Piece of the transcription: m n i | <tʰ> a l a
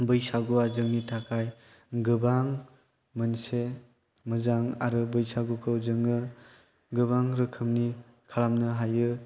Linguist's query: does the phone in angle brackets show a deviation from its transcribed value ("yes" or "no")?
yes